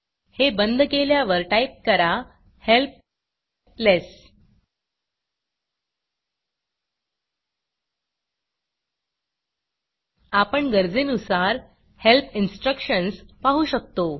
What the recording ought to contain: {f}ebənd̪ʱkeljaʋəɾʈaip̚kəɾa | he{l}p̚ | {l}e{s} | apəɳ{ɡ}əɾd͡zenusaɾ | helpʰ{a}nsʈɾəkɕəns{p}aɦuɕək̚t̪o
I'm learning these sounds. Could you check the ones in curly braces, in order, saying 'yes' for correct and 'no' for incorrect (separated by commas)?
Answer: no, yes, yes, yes, yes, no, yes